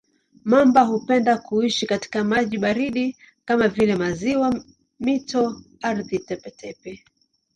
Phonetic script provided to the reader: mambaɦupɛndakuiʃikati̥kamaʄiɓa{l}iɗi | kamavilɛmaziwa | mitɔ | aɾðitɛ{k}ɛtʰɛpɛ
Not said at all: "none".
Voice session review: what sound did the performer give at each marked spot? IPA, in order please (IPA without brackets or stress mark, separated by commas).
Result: ɾ, p